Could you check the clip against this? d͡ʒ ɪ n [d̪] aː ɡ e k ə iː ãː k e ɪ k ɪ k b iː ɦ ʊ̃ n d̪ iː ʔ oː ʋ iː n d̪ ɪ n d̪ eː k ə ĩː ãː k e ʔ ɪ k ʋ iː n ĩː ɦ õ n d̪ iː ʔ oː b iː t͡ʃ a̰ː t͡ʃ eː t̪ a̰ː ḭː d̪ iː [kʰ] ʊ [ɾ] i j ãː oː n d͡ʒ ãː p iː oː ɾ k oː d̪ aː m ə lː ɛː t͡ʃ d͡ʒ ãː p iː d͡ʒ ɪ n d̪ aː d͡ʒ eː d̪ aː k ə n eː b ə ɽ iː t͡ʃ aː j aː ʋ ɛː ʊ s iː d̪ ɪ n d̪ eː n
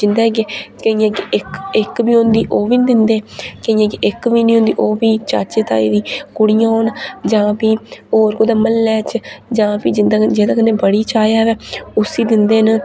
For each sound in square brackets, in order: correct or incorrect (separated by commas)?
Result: correct, incorrect, incorrect